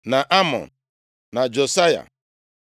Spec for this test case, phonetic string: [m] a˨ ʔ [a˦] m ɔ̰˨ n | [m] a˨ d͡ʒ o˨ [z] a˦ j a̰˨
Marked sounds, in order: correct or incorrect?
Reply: incorrect: n, correct, incorrect: n, incorrect: s

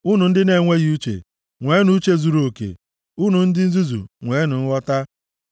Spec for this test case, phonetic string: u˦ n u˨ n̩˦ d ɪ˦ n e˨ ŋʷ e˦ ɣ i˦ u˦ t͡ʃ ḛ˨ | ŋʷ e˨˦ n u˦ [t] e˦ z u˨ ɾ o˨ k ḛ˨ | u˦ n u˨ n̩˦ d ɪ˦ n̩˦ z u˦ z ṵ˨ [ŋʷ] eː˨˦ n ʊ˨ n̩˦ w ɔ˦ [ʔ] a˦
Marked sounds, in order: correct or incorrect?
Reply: incorrect: t͡ʃ, correct, incorrect: t

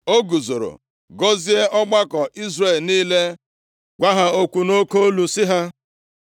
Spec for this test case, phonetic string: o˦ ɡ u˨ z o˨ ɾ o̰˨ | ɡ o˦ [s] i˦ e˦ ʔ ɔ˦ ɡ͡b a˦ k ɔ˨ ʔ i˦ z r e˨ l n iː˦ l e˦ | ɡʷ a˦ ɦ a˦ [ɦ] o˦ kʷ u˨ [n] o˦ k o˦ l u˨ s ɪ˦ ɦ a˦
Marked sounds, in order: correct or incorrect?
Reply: incorrect: z, incorrect: none, correct

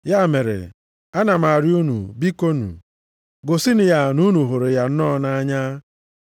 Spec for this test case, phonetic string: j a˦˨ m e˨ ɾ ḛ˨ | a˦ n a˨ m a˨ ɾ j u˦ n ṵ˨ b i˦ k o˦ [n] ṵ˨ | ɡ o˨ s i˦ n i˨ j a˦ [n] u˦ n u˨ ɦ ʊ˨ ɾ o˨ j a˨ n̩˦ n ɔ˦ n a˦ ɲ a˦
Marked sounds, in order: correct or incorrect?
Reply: correct, correct

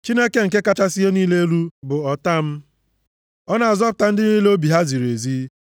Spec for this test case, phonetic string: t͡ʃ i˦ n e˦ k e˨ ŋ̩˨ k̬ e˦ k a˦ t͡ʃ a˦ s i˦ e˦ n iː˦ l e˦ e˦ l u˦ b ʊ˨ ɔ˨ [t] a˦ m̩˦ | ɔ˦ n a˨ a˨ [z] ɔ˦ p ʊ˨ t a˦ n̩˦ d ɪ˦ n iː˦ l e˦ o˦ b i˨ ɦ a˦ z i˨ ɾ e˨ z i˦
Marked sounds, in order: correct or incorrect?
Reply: correct, correct

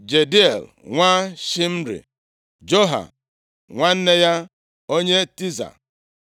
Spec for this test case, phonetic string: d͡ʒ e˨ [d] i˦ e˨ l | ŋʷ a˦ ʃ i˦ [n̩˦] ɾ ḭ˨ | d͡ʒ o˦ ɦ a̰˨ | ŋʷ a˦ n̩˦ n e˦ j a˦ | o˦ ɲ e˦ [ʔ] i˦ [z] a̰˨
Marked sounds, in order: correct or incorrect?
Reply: correct, incorrect: m̩˦, incorrect: t, correct

